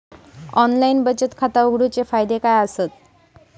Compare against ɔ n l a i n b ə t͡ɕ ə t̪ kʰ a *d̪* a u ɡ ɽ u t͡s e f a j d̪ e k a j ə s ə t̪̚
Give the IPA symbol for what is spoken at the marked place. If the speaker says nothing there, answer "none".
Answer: t̪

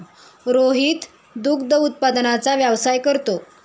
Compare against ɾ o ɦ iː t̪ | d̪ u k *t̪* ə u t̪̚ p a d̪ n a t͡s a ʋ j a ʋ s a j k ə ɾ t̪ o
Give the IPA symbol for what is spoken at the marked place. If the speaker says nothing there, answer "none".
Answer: d̪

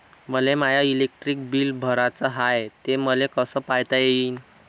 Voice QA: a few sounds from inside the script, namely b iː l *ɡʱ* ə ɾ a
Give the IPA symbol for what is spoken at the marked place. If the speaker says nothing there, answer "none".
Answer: bʱ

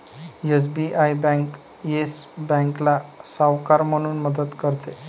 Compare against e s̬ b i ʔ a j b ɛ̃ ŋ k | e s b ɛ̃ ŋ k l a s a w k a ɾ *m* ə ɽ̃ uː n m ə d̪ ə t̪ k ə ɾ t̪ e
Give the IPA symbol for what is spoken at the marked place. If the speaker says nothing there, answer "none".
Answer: m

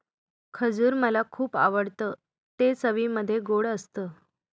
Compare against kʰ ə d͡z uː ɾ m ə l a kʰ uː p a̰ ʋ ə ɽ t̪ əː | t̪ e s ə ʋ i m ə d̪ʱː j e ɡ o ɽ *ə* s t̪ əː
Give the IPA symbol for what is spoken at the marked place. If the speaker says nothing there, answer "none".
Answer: ə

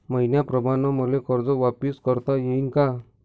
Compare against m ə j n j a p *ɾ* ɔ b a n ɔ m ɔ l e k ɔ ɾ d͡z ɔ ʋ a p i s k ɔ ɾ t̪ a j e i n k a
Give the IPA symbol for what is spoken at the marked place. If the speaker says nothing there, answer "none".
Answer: ɾ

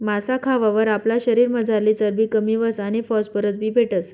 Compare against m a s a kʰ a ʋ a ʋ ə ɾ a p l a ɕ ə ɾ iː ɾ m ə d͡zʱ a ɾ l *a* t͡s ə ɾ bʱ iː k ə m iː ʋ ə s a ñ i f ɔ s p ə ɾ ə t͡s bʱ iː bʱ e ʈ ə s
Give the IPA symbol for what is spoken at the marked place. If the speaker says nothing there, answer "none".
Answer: i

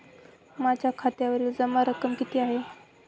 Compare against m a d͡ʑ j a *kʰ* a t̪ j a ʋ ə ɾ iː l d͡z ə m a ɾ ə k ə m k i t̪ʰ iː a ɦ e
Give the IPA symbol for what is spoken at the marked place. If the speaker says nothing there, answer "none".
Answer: kʰ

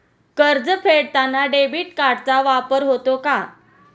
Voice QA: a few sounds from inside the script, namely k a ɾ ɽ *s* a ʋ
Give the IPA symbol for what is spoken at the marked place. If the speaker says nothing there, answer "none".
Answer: t͡s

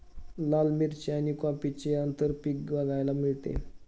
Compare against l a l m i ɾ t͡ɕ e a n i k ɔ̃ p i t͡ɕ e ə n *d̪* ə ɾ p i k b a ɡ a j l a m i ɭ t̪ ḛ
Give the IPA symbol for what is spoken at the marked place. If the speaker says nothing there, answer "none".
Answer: t̪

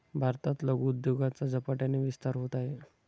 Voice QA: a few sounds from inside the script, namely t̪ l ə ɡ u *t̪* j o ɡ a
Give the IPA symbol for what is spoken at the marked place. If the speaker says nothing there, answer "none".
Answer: d̪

